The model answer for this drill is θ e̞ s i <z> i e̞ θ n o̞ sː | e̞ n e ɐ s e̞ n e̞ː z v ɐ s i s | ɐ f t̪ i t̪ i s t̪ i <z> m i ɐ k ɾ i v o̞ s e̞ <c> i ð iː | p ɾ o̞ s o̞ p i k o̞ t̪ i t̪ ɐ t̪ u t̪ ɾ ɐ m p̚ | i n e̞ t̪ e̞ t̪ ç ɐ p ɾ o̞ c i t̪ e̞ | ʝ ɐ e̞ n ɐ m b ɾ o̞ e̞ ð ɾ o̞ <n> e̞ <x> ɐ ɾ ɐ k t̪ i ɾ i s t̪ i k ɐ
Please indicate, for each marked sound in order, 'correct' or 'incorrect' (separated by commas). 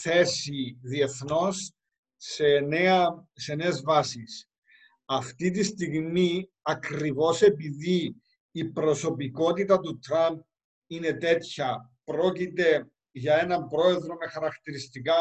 incorrect, incorrect, incorrect, incorrect, correct